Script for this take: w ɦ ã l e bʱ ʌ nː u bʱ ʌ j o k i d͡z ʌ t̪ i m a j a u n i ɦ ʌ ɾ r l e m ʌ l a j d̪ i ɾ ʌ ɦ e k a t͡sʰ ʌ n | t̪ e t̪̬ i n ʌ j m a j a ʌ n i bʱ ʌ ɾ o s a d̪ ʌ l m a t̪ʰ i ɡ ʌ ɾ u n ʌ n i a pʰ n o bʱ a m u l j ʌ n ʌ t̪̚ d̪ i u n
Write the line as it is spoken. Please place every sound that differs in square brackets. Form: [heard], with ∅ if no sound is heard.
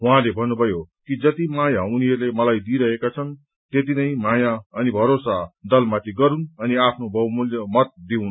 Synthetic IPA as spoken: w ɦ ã l e bʱ ʌ nː u bʱ ʌ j o k i d͡z ʌ t̪ i m a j a u n i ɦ ʌ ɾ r l e m ʌ l a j d̪ i ɾ ʌ ɦ e k a t͡sʰ ʌ n | t̪ e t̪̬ i n ʌ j m a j a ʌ n i bʱ ʌ ɾ o s a d̪ ʌ l m a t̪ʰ i ɡ ʌ ɾ u n ʌ n i a pʰ n o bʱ [ʌ] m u l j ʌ [m] ʌ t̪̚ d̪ i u n